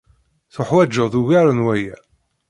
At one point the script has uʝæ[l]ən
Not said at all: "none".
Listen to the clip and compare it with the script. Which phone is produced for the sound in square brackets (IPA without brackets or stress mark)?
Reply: ɾ